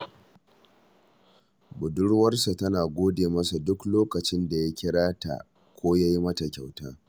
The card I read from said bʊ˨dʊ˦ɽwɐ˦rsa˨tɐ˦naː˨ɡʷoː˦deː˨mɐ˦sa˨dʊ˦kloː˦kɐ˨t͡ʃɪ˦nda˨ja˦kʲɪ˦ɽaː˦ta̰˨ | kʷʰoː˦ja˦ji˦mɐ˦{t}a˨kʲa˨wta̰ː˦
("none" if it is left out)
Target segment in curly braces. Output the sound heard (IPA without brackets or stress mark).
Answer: t